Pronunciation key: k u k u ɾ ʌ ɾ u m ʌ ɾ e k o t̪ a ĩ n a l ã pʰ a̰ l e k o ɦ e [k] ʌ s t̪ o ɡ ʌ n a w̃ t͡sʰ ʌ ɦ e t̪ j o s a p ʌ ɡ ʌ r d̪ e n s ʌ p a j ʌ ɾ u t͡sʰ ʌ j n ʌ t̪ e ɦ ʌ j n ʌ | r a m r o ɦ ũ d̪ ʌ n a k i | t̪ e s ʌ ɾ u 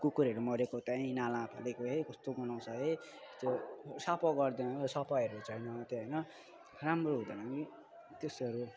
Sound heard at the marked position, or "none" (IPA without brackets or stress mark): k